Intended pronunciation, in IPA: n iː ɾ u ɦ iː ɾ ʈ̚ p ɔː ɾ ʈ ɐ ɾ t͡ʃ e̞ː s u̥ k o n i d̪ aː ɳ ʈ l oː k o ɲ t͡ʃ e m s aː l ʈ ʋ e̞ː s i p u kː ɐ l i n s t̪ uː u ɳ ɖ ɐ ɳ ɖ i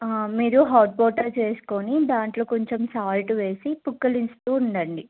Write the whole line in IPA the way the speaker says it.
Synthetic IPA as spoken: m iː ɾ u ɦ aː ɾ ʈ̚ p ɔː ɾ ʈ ɐ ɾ t͡ʃ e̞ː s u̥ k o n i d̪ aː ɳ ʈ l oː k o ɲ t͡ʃ e m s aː l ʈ ʋ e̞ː s i p u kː ɐ l i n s t̪ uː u ɳ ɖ ɐ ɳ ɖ i